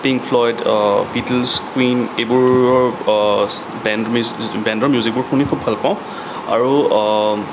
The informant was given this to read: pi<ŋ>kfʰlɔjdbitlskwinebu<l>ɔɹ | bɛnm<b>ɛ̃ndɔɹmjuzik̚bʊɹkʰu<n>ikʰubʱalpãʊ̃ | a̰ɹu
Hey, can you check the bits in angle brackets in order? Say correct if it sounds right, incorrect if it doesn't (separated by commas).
correct, incorrect, correct, correct